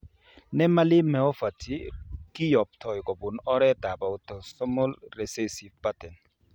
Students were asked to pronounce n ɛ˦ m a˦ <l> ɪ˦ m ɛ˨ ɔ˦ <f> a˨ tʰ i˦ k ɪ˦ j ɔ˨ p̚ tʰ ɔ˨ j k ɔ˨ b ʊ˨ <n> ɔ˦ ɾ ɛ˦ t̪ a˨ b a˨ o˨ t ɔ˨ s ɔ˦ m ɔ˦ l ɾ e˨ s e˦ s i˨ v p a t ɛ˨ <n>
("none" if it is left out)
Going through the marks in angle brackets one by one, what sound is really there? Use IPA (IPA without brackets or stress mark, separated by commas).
l, f, n, n